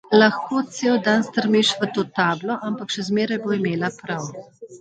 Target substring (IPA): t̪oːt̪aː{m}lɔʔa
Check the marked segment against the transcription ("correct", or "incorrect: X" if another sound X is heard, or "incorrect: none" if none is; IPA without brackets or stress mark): incorrect: b